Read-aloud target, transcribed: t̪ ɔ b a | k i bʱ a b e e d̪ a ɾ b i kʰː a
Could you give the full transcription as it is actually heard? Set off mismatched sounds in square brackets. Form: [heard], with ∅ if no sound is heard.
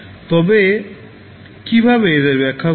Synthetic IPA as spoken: t̪ ɔ b [e] | k i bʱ a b e e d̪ [e] ɾ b [ɛ] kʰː a